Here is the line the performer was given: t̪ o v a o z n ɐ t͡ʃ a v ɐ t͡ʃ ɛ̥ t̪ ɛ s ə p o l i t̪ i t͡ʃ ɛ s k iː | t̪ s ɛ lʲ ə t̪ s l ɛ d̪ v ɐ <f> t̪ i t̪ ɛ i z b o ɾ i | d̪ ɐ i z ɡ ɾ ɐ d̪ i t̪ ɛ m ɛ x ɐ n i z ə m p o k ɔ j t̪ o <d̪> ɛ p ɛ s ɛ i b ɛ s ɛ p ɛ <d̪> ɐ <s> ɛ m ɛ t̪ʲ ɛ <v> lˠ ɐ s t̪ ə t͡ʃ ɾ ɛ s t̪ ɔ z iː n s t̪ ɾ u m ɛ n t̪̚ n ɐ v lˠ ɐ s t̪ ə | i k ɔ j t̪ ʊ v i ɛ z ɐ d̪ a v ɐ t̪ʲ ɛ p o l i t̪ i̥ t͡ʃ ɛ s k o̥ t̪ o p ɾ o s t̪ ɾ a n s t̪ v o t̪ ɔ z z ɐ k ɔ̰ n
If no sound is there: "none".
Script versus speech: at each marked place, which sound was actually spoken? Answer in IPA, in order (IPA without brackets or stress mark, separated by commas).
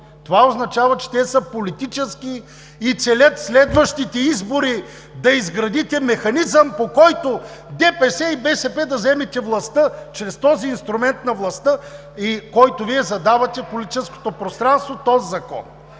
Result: ʃ, d̪, d̪, z, v